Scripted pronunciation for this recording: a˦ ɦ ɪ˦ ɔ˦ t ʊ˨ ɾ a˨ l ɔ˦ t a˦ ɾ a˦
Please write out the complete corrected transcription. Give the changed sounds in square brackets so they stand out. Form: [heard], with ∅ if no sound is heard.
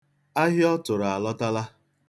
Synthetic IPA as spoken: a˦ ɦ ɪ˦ ɔ˦ t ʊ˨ ɾ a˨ l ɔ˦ t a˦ [l] a˦